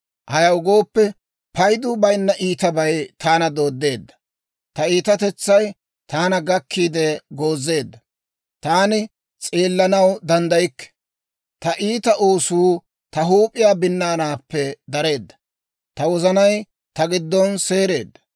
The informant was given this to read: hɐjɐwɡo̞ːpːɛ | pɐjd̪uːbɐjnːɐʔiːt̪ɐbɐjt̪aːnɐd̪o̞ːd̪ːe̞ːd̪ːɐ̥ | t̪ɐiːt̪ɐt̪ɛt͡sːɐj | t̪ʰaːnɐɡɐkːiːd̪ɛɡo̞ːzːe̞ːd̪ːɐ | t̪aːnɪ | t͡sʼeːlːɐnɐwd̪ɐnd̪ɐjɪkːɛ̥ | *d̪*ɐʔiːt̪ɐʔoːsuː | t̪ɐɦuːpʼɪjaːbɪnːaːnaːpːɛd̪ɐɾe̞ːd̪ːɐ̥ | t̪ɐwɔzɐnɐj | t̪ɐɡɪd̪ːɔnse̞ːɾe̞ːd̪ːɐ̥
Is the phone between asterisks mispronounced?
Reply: yes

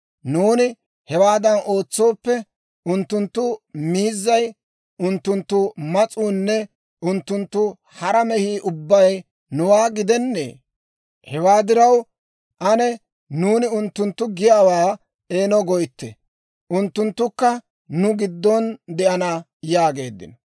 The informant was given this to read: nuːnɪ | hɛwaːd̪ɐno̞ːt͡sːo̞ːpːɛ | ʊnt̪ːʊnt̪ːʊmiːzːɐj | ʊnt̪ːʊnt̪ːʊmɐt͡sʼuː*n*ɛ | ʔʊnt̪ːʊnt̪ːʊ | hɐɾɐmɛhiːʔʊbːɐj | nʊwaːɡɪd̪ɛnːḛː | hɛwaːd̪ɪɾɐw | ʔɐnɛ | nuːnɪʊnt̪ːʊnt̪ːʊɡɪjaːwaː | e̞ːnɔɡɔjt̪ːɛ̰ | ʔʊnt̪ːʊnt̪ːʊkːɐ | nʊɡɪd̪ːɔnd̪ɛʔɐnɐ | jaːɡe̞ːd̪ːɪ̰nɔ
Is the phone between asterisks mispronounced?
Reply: yes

